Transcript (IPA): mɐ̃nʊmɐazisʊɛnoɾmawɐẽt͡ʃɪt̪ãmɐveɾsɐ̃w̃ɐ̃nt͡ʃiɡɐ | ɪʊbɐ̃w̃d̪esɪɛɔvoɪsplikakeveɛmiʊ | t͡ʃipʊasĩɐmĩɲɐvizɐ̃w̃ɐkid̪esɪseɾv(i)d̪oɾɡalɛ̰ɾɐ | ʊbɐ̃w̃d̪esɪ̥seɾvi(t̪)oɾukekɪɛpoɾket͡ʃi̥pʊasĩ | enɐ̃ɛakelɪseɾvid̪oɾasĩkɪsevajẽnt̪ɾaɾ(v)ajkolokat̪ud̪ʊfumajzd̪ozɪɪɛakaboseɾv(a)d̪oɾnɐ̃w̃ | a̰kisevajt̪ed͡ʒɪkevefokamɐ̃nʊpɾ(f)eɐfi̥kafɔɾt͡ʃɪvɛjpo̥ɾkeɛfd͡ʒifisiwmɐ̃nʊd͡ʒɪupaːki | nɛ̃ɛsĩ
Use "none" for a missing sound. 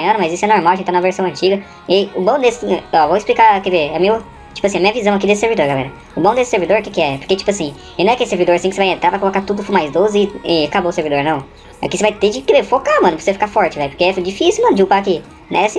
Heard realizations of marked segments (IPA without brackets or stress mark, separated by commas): i, d̪, v, i, s